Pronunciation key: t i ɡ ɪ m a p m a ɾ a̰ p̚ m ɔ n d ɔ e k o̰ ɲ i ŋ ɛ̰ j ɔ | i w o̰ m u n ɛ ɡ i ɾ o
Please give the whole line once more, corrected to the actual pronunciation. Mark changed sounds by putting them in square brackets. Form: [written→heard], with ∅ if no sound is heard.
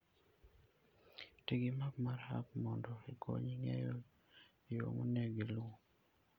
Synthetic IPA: t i ɡ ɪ m a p m a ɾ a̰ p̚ m ɔ n d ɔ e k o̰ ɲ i ŋ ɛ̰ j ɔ | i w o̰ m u n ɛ ɡ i [ɾ→l] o